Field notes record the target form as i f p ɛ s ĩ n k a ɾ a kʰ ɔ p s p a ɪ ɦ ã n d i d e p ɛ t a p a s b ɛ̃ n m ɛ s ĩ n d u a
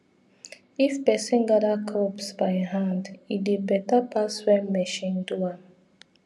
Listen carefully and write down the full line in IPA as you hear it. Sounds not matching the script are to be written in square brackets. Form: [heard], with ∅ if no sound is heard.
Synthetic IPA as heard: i f p ɛ s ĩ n [ɡ] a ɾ a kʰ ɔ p s [b] a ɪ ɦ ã n d i d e [b] ɛ t a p a s [w] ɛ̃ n m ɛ [ʃ] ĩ n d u a